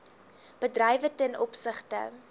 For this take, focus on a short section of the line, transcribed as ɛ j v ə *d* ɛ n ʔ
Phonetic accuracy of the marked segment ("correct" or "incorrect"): incorrect